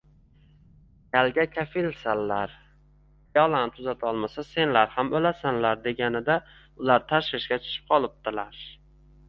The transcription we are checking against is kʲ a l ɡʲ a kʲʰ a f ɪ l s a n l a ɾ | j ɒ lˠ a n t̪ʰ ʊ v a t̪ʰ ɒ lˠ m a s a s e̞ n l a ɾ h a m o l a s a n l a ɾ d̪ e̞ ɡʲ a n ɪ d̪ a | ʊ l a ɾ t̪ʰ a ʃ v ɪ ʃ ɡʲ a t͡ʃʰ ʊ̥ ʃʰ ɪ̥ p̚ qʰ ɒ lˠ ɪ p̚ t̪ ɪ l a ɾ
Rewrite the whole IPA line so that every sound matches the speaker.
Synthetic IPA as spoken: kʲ a l ɡʲ a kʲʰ a f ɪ l s a n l a ɾ | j ɒ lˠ a n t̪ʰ ʊ z a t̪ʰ ɒ lˠ m a s a s e̞ n l a ɾ h a m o l a s a n l a ɾ d̪ e̞ ɡʲ a n ɪ d̪ a | ʊ l a ɾ t̪ʰ a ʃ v ɪ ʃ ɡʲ a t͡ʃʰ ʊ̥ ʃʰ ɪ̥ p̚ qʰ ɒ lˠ ɪ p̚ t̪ ɪ l a ɾ